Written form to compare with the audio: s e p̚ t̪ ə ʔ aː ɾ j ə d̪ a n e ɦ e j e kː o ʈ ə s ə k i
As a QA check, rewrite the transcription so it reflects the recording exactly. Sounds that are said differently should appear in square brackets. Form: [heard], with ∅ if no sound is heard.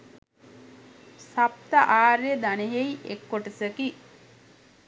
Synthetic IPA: s [a] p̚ t̪ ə ʔ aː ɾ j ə d̪ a n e ɦ e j e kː o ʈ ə s ə k i